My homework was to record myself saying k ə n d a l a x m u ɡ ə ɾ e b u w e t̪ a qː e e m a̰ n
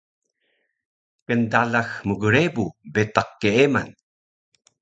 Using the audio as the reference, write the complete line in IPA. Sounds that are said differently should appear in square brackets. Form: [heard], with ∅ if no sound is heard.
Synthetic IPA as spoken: k ə n d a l a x m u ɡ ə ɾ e b u [b] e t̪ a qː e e m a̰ n